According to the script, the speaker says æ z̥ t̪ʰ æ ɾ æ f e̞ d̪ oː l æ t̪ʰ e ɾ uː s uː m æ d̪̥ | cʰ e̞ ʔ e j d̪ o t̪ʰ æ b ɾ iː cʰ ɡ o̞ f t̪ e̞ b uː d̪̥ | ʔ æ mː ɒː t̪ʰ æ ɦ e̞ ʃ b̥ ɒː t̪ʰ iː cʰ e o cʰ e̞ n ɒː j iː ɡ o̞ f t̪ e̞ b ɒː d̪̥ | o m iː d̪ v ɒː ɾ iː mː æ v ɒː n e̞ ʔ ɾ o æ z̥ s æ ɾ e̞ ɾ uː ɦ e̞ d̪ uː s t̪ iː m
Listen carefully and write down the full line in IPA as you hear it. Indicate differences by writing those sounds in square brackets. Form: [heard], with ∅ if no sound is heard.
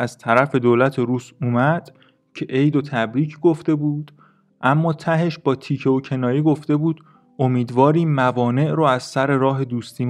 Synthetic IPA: æ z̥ t̪ʰ æ ɾ æ f e̞ d̪ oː l æ t̪ʰ e ɾ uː s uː m æ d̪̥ | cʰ e̞ ʔ e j d̪ o t̪ʰ æ b ɾ iː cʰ ɡ o̞ f t̪ e̞ b uː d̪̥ | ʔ æ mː ɒː t̪ʰ æ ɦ e̞ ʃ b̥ ɒː t̪ʰ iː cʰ e o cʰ e̞ n ɒː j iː ɡ o̞ f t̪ e̞ b [uː] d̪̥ | o m iː d̪ v ɒː ɾ iː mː æ v ɒː n e̞ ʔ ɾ o æ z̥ s æ ɾ e̞ ɾ [ɒː] ɦ e̞ d̪ uː s t̪ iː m